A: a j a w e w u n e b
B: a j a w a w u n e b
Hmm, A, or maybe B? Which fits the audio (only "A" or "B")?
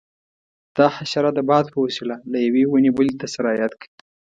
A